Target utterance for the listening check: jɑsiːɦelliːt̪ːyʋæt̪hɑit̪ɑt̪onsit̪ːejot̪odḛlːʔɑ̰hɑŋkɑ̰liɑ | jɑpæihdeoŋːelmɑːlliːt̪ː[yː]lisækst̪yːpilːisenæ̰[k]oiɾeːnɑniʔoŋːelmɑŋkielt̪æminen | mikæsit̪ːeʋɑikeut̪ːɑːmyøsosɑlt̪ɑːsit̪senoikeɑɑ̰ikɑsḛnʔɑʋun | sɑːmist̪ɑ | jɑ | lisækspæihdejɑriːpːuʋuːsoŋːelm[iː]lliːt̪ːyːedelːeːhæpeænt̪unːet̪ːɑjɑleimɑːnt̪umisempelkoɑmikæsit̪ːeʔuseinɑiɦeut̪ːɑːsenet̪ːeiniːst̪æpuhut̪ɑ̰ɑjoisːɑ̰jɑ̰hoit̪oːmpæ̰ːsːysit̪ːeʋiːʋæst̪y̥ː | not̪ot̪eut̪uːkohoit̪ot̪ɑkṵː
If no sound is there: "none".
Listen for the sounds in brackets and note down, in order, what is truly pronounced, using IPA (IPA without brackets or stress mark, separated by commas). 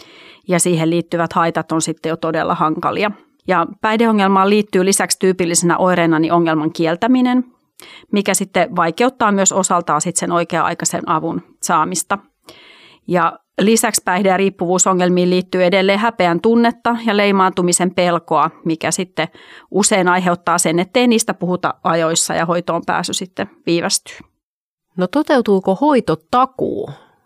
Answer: yː, ʔ, iː